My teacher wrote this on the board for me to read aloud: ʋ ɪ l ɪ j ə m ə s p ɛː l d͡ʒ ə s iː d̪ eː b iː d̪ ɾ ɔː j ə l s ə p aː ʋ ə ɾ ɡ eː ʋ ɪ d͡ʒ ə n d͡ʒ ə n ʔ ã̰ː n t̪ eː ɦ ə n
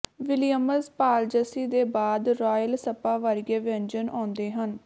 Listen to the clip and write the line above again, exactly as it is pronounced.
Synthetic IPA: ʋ ɪ l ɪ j ə m ə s p aː l d͡ʒ ə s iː d̪ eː b aː d̪ ɾ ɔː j ə l s ə p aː ʋ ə ɾ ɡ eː ʋ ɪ ə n d͡ʒ ə n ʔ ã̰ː n d̪ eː ɦ ə n